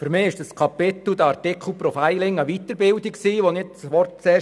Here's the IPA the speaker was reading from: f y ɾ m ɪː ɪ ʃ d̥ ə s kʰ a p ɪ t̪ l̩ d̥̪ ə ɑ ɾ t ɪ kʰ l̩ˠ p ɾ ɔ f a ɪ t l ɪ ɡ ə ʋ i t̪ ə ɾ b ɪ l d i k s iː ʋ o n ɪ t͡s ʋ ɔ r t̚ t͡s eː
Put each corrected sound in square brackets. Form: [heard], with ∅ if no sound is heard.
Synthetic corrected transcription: f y ɾ m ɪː ɪ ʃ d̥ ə s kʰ [ɑ] p ɪ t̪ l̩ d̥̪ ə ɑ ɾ t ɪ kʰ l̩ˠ p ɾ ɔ f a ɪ [∅] l ɪ [ŋ] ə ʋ i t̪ ə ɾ b ɪ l d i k s iː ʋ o n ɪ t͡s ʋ ɔ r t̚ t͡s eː